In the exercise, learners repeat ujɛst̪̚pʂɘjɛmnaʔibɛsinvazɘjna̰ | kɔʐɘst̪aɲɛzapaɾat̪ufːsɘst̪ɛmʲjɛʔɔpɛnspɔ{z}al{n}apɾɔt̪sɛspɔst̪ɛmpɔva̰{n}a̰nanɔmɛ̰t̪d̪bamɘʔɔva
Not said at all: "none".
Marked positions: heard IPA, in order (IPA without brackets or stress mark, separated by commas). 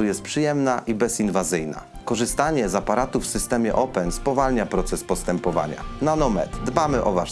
v, ɲ, ɲ